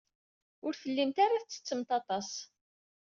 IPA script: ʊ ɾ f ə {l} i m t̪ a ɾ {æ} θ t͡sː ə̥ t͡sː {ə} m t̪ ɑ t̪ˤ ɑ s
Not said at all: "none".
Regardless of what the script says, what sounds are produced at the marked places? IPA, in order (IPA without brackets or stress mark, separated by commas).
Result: lː, a, ə